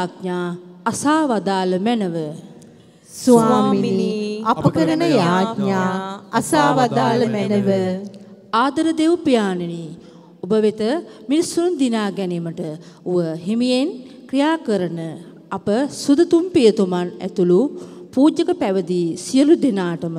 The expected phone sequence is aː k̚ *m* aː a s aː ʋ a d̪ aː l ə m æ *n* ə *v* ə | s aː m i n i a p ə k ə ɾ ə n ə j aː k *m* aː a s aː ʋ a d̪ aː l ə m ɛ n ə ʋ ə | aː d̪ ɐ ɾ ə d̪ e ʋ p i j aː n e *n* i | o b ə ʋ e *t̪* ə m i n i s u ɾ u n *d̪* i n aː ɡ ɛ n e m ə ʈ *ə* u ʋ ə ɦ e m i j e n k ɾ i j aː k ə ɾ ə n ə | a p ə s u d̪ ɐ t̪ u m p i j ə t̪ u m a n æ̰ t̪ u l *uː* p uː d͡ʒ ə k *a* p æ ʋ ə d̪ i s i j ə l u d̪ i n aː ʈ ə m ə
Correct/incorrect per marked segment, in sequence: incorrect, correct, incorrect, incorrect, correct, correct, correct, correct, incorrect, incorrect

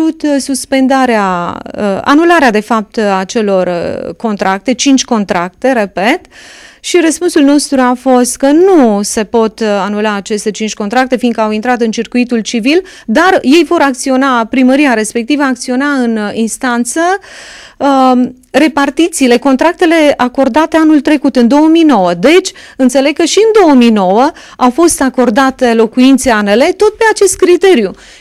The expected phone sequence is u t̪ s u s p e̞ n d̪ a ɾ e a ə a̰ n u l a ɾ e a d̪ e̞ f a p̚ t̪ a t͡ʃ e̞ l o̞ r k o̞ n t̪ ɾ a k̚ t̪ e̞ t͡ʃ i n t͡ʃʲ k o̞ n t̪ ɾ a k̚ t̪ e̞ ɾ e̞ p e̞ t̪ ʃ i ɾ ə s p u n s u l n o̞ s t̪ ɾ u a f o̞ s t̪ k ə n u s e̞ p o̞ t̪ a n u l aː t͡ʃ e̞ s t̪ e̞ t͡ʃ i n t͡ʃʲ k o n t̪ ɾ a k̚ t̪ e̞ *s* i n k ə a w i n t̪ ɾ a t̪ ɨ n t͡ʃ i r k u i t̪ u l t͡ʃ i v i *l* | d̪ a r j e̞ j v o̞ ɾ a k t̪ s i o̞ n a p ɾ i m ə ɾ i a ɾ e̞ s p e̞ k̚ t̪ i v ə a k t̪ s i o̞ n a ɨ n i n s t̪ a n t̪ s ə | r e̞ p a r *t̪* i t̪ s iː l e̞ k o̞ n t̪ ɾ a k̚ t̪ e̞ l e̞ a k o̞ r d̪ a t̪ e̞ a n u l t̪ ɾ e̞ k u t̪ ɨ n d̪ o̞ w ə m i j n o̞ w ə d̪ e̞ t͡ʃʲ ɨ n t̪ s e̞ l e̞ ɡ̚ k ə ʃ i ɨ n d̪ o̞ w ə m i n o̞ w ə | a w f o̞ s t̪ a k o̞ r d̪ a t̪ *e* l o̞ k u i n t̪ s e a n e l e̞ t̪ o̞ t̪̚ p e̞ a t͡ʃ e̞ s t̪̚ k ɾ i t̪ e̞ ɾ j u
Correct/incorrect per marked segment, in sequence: incorrect, correct, correct, correct

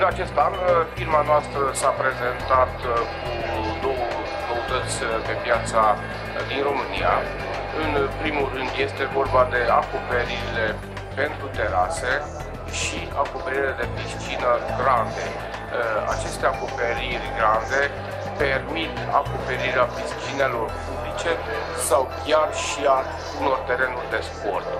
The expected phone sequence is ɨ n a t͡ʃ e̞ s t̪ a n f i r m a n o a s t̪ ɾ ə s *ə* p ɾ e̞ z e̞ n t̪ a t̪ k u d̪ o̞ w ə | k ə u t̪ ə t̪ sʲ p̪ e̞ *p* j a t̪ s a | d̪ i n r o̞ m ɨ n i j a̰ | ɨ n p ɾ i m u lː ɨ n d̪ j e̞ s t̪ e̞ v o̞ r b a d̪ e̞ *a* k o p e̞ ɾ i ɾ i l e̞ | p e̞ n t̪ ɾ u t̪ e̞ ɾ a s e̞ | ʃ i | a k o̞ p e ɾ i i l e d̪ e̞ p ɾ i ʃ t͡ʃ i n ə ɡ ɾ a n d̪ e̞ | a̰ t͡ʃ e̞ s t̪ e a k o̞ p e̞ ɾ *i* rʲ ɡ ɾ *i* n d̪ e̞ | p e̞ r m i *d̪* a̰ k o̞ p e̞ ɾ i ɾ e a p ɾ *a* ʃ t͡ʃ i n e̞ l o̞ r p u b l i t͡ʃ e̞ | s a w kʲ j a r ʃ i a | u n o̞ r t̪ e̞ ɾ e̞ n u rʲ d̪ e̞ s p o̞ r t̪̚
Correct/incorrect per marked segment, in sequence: incorrect, correct, correct, correct, incorrect, incorrect, incorrect

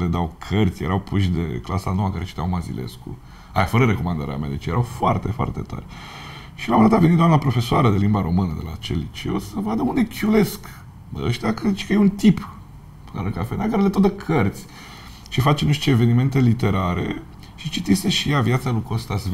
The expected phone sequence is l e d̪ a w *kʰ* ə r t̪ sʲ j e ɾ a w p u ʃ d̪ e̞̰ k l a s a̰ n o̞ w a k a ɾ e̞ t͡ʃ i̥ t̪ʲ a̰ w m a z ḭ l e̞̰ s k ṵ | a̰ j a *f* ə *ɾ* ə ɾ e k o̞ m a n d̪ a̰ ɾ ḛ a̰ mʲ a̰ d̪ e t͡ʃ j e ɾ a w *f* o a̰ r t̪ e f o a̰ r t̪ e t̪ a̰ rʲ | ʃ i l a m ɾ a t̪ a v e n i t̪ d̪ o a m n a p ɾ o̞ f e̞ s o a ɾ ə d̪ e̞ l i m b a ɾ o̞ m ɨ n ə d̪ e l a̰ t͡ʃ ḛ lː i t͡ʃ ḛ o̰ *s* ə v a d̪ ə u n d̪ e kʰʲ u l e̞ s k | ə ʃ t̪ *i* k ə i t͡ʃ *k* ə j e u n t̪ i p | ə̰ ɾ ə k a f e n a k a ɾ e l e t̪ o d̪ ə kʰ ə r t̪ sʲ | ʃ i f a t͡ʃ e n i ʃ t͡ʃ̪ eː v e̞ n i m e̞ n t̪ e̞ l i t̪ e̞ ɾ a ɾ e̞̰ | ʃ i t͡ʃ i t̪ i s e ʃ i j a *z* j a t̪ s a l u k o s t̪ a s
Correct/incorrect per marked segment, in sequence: correct, correct, correct, correct, correct, incorrect, correct, incorrect

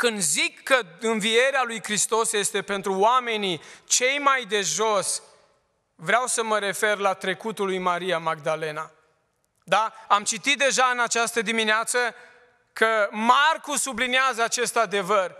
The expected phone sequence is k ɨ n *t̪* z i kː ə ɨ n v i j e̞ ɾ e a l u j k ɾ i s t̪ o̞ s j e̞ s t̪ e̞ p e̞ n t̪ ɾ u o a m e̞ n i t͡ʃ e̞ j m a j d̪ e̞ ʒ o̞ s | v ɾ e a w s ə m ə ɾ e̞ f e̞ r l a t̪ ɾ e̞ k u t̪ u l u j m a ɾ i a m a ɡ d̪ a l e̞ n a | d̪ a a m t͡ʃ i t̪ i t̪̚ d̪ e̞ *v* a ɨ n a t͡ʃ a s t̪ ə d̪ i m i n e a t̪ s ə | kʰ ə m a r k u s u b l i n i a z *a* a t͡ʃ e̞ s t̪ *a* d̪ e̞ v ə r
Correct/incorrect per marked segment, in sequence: incorrect, incorrect, incorrect, correct

